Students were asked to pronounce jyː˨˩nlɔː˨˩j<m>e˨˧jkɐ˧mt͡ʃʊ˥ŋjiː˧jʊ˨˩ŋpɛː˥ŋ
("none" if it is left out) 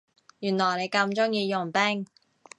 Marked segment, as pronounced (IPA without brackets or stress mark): n